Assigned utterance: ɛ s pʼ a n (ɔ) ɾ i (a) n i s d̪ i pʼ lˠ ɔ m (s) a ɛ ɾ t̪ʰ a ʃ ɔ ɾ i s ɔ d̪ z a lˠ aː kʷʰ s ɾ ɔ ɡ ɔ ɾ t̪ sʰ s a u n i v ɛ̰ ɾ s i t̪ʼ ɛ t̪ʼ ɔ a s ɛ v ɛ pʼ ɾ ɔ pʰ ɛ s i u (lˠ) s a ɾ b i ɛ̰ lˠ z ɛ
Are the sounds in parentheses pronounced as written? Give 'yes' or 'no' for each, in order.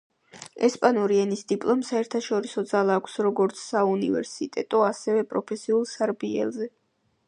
no, no, yes, yes

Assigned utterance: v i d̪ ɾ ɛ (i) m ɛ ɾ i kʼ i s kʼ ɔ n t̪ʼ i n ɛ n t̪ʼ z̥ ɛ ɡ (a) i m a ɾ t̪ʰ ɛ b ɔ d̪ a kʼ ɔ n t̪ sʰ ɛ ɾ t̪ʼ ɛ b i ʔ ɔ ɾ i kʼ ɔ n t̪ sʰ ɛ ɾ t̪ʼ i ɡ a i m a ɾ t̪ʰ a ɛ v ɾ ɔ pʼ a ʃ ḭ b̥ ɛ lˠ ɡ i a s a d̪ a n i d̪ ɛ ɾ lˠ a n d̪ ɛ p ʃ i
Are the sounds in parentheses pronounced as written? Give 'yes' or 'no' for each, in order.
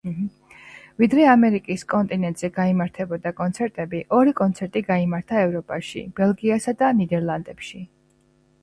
no, yes

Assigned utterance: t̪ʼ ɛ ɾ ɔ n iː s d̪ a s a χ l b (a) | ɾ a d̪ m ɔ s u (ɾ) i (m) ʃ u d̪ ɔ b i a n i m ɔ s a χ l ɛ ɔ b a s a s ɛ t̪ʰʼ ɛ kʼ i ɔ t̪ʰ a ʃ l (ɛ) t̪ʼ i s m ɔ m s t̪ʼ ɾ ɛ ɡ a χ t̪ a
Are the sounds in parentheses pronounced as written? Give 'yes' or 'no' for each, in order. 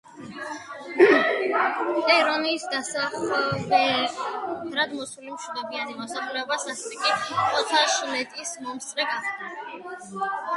no, no, yes, yes

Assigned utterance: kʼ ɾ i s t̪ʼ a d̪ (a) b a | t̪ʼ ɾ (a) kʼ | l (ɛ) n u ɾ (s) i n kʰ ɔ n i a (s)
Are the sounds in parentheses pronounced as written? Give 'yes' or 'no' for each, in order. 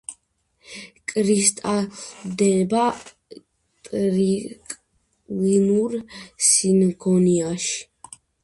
no, no, no, yes, no

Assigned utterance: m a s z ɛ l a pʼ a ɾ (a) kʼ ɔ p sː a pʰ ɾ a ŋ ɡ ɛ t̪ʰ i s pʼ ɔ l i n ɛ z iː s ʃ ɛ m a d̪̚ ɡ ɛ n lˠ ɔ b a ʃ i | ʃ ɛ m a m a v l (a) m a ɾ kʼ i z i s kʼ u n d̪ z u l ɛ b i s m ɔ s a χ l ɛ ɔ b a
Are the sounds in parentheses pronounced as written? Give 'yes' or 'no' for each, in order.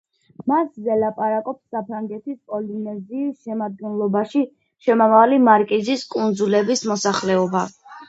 yes, no

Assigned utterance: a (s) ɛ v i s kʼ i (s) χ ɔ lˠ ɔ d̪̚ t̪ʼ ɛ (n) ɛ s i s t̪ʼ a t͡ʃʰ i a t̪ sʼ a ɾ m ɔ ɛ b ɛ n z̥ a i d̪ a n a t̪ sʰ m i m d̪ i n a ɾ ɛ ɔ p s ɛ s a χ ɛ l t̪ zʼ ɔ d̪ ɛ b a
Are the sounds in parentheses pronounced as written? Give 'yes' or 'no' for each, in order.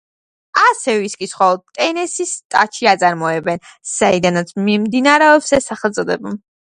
yes, yes, yes

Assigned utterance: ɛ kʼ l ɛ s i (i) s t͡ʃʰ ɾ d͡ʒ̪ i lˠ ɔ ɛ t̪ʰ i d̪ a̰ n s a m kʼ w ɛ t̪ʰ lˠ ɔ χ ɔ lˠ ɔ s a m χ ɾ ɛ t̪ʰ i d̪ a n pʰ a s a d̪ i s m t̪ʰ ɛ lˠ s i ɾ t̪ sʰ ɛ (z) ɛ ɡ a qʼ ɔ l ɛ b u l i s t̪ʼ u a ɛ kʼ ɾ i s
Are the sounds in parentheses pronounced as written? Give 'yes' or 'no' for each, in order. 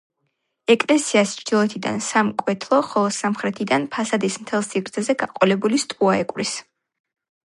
no, yes

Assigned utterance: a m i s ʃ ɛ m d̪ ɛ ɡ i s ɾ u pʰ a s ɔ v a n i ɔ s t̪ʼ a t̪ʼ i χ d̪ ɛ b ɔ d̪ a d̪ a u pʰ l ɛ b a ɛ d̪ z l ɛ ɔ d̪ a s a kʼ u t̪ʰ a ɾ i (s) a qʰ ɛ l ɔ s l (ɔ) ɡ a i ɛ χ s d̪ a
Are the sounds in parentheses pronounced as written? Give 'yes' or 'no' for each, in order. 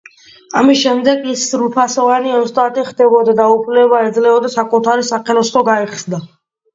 yes, yes

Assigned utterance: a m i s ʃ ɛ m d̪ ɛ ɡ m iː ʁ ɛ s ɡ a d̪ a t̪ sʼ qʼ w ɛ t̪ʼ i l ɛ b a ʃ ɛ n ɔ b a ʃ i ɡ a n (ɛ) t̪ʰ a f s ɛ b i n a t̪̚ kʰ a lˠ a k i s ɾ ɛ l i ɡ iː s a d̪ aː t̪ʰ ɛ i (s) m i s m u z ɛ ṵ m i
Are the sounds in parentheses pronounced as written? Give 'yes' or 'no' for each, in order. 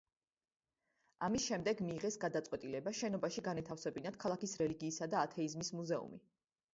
yes, no

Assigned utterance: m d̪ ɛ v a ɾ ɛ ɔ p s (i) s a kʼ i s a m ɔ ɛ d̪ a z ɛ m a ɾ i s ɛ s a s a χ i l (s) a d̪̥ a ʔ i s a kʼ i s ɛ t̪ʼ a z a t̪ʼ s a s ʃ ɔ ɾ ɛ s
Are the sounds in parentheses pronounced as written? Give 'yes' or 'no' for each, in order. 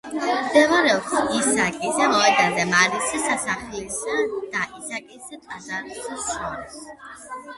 yes, yes

